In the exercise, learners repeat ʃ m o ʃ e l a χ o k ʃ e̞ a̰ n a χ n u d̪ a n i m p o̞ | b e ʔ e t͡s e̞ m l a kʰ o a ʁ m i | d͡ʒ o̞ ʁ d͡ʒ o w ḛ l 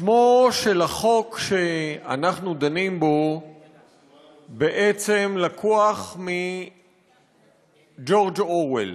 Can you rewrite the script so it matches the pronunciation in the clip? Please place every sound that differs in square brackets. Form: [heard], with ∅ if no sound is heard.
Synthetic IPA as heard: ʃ m o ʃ e l a χ o k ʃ e̞ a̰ n a χ n u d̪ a n i m [b] o̞ | b e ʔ e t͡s e̞ m l a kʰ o a [χ] m i | d͡ʒ o̞ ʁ d͡ʒ o w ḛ l